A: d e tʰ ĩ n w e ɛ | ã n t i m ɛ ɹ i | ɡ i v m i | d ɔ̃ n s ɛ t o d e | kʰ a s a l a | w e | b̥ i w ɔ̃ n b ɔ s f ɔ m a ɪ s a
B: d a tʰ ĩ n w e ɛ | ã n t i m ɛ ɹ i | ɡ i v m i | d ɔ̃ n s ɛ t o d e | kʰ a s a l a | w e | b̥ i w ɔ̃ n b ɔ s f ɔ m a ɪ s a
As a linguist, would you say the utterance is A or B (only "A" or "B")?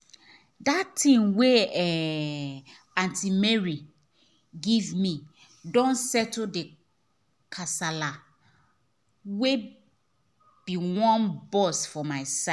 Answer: B